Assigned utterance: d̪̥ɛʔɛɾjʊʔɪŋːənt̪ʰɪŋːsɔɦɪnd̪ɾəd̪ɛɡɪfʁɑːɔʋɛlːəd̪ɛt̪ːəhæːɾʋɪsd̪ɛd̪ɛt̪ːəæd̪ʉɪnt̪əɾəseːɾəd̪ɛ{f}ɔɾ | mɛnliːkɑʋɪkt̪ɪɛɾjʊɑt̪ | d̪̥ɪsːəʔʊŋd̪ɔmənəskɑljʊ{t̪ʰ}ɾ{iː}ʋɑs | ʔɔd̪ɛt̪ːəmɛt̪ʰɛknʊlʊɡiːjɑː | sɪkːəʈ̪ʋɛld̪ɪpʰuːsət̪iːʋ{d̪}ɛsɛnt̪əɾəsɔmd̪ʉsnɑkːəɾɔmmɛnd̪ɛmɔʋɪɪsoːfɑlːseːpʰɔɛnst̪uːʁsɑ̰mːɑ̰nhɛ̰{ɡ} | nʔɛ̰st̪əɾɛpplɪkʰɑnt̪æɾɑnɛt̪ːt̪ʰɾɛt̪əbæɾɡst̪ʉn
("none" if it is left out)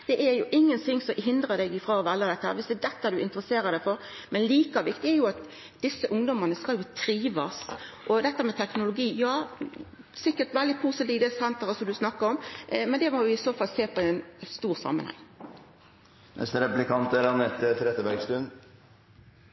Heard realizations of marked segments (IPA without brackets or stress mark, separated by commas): f, t̪ʰ, iː, d̪, ŋ